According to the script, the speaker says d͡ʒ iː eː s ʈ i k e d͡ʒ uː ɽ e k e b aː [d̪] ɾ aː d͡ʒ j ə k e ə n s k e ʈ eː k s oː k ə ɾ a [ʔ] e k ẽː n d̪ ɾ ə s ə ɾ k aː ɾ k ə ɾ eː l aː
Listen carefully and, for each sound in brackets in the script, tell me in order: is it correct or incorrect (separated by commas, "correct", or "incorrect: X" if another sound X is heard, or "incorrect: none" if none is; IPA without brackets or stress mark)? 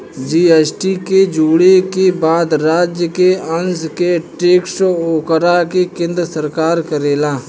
correct, incorrect: k